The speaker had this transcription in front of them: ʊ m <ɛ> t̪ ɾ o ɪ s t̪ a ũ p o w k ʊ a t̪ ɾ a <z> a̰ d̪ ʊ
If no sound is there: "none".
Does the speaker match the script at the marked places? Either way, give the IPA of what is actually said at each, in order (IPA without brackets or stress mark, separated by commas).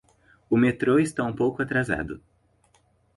e, z